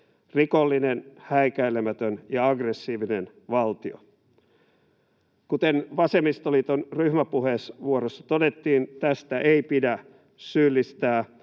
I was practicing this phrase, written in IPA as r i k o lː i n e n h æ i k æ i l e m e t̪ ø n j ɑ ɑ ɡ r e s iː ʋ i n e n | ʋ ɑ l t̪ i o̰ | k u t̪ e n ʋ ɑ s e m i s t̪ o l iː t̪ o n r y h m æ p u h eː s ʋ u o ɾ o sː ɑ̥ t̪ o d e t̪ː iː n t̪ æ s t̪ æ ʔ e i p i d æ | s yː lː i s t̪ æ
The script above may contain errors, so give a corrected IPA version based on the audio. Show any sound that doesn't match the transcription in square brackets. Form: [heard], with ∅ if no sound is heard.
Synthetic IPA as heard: r i k o lː i n e n h æ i k æ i l e m [æ] t̪ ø n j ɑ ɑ ɡ r e [sː] iː ʋ i n e n | ʋ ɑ l t̪ i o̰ | k u t̪ e n ʋ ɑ s e m i s t̪ o l iː t̪ o n r y h m æ p u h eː s ʋ u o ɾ o sː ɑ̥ t̪ o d e t̪ː iː n t̪ æ s t̪ æ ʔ e i p i d æ | s yː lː i s t̪ [æː]